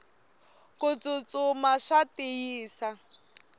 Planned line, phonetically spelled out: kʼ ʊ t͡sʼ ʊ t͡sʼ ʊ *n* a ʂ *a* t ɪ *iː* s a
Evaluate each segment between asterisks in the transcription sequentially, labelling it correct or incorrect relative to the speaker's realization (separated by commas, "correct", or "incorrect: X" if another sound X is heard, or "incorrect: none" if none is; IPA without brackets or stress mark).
incorrect: m, correct, correct